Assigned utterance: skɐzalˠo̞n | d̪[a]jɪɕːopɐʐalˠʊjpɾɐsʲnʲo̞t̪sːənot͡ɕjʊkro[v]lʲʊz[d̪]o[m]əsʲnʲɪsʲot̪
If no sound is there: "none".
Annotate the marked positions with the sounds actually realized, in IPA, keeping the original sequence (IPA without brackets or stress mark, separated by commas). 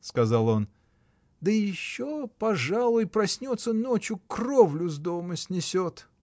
ə, v, d̪, m